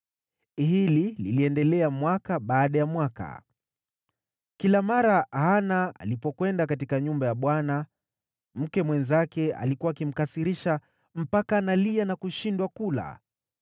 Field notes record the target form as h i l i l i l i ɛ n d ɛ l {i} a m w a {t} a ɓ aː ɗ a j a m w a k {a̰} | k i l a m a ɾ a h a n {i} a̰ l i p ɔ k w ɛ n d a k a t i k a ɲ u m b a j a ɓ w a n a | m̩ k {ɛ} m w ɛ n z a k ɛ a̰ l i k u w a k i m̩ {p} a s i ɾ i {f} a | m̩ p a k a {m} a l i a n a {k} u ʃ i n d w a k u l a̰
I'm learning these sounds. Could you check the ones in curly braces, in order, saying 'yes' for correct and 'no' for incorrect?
no, no, yes, no, yes, no, no, no, yes

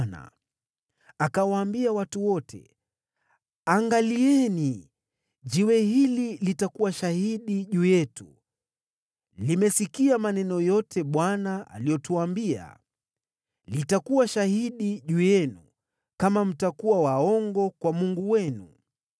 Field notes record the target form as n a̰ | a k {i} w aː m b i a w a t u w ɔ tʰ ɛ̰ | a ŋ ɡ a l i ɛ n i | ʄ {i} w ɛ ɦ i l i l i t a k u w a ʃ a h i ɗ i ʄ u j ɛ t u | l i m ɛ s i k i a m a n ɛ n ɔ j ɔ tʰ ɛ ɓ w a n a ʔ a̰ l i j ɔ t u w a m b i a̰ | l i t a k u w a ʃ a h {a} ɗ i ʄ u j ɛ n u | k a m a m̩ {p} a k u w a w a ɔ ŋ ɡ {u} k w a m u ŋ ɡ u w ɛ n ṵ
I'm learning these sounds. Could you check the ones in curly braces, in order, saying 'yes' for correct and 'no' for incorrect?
no, yes, no, no, no

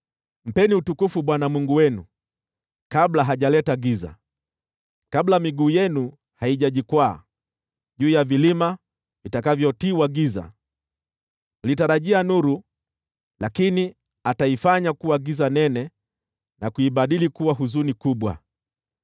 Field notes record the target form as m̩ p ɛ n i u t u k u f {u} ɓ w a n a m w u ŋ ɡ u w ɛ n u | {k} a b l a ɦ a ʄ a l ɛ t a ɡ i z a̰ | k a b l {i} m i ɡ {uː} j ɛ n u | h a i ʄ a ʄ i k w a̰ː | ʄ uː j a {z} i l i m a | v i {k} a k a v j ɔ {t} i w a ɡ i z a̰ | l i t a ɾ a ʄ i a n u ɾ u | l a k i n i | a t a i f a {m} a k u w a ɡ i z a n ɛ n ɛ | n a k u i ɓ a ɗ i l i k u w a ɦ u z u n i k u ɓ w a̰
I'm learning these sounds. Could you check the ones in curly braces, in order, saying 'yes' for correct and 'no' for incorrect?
yes, yes, no, yes, no, no, yes, no

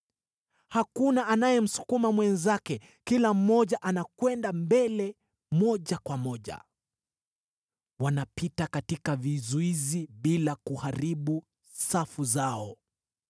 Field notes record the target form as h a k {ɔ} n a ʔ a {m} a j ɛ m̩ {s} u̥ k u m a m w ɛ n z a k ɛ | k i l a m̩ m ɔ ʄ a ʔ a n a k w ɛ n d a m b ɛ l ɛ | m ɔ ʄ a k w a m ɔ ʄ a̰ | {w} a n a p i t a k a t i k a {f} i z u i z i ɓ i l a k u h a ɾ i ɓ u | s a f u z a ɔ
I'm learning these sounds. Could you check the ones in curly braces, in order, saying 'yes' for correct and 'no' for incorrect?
no, no, yes, yes, no

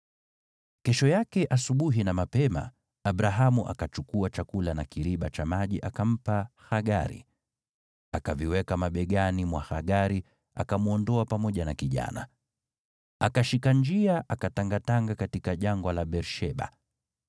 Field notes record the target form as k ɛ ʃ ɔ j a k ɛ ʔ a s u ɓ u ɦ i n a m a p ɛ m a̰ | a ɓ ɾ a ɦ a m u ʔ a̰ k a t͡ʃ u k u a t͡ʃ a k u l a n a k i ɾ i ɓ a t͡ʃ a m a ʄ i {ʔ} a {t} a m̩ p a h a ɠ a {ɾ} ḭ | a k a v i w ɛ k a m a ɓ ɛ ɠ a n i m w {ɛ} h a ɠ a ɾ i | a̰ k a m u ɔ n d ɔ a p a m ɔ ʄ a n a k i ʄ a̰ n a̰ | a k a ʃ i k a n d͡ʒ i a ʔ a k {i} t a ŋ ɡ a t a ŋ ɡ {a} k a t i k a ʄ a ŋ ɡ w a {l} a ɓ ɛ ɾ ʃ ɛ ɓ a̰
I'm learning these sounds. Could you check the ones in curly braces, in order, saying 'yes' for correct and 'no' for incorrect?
yes, no, yes, no, no, yes, yes

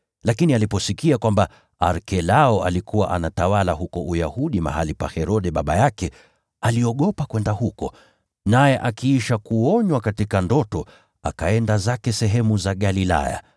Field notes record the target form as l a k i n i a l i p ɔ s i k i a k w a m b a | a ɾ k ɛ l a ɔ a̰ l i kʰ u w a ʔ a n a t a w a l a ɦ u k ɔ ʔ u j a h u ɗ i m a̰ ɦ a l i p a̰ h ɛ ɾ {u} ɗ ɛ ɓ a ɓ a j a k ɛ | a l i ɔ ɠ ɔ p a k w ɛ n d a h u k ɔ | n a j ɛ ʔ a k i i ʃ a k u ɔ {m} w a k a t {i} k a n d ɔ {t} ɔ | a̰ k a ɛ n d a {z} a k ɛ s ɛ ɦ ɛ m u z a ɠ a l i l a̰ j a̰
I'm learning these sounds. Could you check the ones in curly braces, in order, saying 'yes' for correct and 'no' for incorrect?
no, no, yes, yes, yes

